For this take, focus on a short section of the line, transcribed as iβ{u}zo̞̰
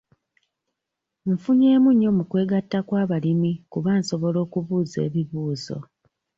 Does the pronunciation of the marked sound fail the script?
yes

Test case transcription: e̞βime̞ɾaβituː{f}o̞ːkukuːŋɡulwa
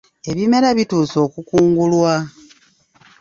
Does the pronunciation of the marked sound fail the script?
yes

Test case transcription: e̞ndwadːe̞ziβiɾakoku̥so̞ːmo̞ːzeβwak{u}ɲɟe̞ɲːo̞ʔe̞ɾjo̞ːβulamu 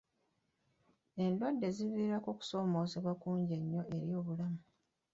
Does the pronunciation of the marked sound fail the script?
yes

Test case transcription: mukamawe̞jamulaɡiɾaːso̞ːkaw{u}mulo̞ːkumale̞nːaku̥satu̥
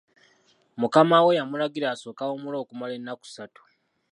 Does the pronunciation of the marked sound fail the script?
yes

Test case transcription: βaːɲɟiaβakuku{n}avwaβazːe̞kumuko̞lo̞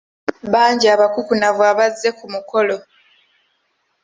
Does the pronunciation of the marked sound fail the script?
no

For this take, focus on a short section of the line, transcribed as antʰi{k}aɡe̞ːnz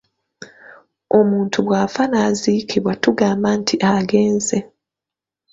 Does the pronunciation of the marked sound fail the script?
yes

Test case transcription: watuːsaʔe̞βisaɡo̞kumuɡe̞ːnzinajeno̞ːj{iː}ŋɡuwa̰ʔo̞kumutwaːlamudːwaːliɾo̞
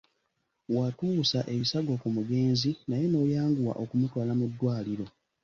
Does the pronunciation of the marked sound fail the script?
yes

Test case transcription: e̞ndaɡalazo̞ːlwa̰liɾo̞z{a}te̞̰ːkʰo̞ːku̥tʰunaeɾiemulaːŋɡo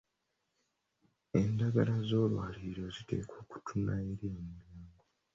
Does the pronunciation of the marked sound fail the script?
yes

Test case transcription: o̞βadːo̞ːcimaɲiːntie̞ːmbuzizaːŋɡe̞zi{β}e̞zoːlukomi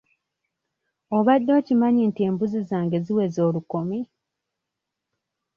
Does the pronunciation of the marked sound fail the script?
yes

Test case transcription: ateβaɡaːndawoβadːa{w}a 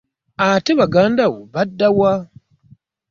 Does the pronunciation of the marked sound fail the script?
no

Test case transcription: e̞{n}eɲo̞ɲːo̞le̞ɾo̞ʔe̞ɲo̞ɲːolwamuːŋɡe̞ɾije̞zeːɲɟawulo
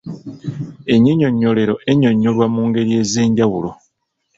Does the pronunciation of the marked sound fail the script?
yes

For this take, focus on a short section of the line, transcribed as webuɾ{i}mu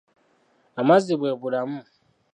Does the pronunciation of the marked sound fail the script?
yes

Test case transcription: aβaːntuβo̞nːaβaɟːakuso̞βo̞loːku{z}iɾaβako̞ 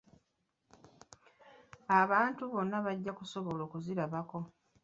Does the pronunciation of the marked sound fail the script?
no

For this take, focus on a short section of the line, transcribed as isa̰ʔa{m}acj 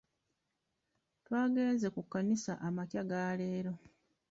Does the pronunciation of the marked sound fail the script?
no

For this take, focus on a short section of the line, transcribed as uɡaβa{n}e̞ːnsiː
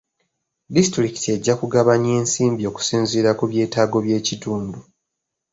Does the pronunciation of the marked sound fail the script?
yes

